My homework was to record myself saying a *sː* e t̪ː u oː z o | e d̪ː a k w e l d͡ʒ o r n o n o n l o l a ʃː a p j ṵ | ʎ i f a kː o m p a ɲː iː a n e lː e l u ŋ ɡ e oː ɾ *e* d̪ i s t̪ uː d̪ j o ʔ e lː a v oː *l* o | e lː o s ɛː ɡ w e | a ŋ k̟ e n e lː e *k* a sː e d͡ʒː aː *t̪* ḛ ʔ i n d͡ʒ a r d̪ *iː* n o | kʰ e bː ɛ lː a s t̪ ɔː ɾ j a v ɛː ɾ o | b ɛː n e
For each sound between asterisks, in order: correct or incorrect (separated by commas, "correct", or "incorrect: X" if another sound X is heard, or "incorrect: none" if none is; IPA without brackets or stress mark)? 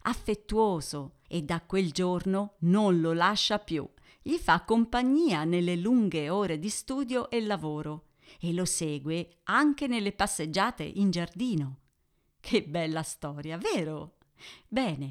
incorrect: fː, correct, incorrect: ɾ, incorrect: p, correct, correct